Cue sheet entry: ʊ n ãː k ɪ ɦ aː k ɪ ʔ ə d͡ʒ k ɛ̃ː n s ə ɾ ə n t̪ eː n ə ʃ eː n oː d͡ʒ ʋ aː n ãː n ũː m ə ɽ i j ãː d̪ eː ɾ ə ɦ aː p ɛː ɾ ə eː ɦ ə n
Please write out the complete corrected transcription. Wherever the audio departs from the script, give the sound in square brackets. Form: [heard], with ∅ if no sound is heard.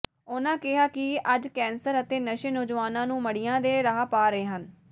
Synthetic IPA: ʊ n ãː k ɪ ɦ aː k ɪ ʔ ə d͡ʒ k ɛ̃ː n s ə ɾ ə [∅] t̪ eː n ə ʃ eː n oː d͡ʒ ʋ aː n ãː n ũː m ə ɽ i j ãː d̪ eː ɾ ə ɦ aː p [aː] ɾ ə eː ɦ ə n

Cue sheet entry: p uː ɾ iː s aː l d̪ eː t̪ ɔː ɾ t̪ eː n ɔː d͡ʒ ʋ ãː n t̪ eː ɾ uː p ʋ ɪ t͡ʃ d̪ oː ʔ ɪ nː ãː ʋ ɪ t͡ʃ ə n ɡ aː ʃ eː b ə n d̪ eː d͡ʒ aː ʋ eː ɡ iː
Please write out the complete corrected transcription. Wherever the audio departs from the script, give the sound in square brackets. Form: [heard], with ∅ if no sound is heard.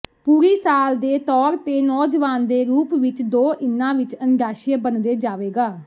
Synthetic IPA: p uː ɾ iː s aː l d̪ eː t̪ ɔː ɾ t̪ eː n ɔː d͡ʒ ʋ [aː] n [d̪] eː ɾ uː p ʋ ɪ t͡ʃ d̪ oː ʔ ɪ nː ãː ʋ ɪ t͡ʃ ə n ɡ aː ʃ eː b ə n d̪ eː d͡ʒ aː ʋ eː ɡ [aː]

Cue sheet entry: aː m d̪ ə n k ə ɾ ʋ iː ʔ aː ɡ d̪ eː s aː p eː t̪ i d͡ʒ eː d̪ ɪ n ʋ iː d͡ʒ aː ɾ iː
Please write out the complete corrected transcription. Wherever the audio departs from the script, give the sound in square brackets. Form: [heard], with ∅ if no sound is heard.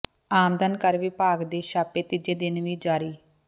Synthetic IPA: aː m d̪ ə n k ə ɾ ʋ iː [p] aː ɡ d̪ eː [ʃ] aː p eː t̪ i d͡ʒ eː d̪ ɪ n ʋ iː d͡ʒ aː ɾ iː

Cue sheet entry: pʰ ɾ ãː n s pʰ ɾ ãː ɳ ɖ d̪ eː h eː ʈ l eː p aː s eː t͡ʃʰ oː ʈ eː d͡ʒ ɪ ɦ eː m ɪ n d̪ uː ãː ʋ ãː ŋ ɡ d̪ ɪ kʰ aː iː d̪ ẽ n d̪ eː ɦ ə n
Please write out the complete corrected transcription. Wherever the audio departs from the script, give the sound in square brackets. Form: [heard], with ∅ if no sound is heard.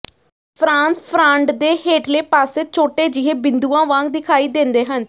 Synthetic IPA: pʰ ɾ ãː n s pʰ ɾ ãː ɳ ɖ d̪ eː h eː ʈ l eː p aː s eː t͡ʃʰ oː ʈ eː d͡ʒ ɪ ɦ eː [b] ɪ n d̪ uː ãː ʋ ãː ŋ ɡ d̪ ɪ kʰ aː iː d̪ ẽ n d̪ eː ɦ ə n

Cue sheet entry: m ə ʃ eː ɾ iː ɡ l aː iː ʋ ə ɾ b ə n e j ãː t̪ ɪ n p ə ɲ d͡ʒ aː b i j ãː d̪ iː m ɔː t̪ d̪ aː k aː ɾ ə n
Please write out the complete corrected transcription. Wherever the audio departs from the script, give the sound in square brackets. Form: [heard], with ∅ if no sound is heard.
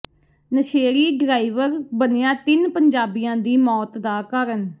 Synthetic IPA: [n] ə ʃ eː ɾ iː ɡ [ɾ] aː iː ʋ ə ɾ b ə n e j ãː t̪ ɪ n p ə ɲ d͡ʒ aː b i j ãː d̪ iː m ɔː t̪ d̪ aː k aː ɾ ə n

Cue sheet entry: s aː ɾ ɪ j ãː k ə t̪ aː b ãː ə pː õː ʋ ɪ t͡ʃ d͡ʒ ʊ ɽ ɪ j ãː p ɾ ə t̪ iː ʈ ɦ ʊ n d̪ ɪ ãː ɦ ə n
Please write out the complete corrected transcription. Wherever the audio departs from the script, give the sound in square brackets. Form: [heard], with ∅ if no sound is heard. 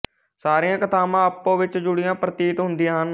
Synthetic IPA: s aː ɾ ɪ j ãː k ə t̪ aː [m] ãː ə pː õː ʋ ɪ t͡ʃ d͡ʒ ʊ ɽ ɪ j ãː p ɾ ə t̪ iː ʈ ɦ ʊ n d̪ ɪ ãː ɦ ə n

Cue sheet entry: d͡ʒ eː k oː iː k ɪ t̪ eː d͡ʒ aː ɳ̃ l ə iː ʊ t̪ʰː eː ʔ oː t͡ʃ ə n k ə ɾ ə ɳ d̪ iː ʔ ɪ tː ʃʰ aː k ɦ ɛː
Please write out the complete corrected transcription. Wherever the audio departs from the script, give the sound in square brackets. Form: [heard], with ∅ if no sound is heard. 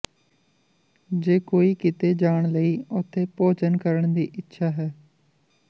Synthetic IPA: d͡ʒ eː k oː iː k ɪ t̪ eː d͡ʒ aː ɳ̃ l ə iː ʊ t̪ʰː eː [p] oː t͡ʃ ə n k ə ɾ ə ɳ d̪ iː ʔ ɪ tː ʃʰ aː [∅] ɦ ɛː

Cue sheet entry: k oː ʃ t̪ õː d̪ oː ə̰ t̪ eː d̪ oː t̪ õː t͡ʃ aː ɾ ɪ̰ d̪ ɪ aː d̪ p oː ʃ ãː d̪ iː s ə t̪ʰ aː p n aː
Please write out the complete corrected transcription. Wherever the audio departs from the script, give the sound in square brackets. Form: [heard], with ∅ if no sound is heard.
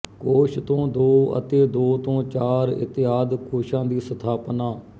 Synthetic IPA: k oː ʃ t̪ õː d̪ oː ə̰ t̪ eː d̪ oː t̪ õː t͡ʃ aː ɾ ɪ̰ [t̪] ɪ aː d̪ [k] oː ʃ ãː d̪ iː s ə t̪ʰ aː p n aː

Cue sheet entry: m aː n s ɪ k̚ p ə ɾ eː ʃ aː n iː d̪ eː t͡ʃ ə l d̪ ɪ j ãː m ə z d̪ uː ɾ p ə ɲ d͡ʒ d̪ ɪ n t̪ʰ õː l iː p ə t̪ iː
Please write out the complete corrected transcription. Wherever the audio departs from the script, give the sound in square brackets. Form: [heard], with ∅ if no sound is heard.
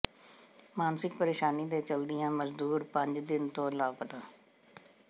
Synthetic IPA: m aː n s ɪ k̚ p ə ɾ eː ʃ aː n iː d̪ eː t͡ʃ ə l d̪ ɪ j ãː m ə z d̪ uː ɾ p ə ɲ d͡ʒ d̪ ɪ n [t̪] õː l [aː] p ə t̪ [aː]

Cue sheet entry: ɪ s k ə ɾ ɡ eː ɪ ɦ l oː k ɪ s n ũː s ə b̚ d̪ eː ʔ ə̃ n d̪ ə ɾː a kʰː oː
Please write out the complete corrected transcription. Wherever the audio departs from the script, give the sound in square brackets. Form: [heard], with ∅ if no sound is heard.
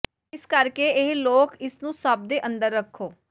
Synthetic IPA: ɪ s k ə ɾ [k] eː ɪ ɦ l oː k ɪ s n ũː s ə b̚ d̪ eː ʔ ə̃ n d̪ ə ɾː [ə] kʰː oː

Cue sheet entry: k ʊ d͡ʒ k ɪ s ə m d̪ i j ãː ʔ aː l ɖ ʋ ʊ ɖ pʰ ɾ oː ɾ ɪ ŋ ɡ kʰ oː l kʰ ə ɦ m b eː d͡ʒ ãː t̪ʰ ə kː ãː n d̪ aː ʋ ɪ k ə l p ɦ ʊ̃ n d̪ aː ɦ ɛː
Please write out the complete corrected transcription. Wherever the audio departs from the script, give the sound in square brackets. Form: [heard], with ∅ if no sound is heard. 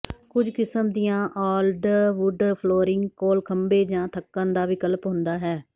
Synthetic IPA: k ʊ d͡ʒ k ɪ s ə m d̪ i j ãː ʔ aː l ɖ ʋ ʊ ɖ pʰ [l] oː ɾ ɪ ŋ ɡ [k] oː l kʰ ə [∅] m b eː d͡ʒ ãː t̪ʰ ə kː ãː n d̪ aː ʋ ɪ k ə l p ɦ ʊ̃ n d̪ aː ɦ ɛː

